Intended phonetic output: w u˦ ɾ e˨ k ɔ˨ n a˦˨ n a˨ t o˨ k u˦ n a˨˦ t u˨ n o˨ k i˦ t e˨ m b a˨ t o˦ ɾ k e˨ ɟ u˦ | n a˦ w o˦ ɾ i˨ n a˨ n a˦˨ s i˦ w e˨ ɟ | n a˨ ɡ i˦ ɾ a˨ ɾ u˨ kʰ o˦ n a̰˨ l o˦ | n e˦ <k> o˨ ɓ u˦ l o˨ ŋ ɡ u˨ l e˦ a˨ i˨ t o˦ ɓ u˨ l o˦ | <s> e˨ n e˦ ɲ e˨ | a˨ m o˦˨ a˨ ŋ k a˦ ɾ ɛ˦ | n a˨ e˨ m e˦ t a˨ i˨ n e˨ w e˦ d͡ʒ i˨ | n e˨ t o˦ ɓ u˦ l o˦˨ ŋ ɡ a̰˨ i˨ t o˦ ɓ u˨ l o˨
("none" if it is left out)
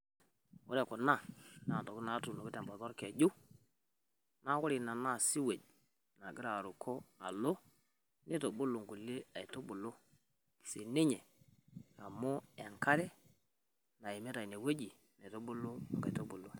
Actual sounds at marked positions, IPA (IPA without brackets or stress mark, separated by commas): t, s